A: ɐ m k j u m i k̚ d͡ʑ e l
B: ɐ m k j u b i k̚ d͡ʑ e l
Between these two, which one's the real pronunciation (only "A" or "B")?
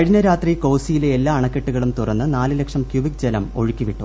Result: B